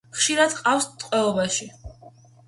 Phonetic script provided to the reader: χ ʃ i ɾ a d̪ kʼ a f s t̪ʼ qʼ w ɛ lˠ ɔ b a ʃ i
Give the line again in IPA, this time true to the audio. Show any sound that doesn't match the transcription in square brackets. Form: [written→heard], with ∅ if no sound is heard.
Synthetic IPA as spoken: χ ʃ i ɾ a d̪ [kʼ→qʼ] a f s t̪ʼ qʼ w ɛ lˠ ɔ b a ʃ i